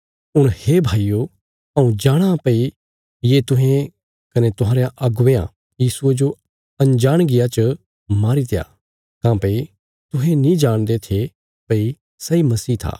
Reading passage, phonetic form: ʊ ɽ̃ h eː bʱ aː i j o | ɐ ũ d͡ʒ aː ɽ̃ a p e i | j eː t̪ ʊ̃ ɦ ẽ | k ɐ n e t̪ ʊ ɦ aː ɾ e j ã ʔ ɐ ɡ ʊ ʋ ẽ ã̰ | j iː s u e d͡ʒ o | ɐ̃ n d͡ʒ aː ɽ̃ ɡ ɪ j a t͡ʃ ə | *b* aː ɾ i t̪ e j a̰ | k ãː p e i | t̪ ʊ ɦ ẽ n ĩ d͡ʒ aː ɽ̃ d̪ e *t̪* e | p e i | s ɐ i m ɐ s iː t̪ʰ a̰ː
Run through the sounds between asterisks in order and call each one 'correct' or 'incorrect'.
incorrect, incorrect

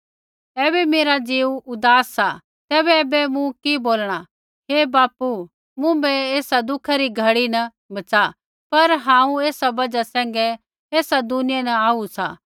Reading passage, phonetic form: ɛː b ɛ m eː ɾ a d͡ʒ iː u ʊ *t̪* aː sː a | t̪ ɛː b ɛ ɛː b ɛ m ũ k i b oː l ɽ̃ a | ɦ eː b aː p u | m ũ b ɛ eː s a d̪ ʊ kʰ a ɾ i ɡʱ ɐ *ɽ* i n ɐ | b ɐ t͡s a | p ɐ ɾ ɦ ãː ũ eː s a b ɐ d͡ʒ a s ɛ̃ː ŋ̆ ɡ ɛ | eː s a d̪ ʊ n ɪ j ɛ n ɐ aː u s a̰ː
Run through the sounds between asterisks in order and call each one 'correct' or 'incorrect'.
incorrect, correct

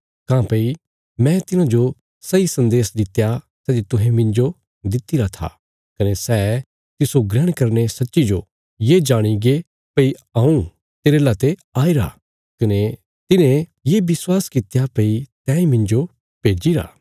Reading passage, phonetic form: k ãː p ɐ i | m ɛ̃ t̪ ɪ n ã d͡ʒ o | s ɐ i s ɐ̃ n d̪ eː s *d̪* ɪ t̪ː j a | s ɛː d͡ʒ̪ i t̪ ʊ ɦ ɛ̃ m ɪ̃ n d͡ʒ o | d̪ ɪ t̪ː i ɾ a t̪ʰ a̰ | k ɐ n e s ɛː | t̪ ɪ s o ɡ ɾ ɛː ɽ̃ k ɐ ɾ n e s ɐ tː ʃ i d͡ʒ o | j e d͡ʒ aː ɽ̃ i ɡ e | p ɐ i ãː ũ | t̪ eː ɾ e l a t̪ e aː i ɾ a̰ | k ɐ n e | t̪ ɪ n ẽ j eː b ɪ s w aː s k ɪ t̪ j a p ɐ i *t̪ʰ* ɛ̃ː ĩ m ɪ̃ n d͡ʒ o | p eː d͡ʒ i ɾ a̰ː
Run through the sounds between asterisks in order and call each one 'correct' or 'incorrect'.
correct, incorrect

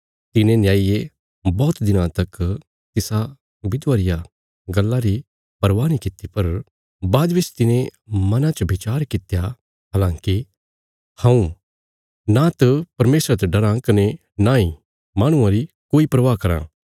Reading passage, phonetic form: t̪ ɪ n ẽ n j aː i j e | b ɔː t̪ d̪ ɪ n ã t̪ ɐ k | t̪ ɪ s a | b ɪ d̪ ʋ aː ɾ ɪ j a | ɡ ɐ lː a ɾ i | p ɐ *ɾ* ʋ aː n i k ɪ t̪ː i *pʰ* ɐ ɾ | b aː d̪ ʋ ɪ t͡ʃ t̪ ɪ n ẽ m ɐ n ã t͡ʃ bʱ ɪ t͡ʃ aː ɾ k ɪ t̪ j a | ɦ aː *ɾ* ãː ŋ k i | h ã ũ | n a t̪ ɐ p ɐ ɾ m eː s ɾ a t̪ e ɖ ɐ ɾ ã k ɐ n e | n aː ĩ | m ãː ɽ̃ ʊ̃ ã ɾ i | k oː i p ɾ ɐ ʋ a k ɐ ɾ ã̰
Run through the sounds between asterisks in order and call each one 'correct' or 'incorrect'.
correct, incorrect, incorrect

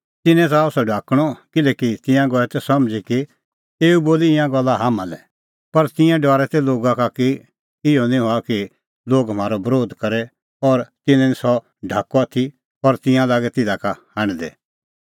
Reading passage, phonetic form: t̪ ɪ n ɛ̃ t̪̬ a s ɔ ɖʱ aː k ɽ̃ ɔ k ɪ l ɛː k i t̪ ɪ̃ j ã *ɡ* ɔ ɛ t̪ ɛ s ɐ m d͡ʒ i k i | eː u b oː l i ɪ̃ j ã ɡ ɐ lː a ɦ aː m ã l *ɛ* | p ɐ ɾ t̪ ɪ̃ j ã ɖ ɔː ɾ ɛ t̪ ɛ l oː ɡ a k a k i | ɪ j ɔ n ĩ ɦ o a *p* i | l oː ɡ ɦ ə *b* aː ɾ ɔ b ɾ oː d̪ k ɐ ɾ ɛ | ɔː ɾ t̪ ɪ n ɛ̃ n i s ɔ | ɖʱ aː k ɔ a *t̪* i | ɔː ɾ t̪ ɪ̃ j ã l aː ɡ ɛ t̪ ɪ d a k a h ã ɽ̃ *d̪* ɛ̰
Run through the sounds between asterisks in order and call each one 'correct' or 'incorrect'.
correct, correct, incorrect, incorrect, incorrect, correct

